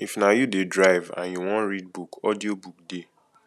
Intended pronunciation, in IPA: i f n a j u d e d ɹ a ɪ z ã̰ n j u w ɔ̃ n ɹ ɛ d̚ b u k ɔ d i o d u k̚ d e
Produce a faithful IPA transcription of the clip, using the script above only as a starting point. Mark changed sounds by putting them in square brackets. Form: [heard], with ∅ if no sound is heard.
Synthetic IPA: i f n a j u d e d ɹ a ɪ [v] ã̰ n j u w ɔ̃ n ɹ [i] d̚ b u k ɔ d i o [b] u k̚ d e